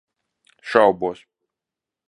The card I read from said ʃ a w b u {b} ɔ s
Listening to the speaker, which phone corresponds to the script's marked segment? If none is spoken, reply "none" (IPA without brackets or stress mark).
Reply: none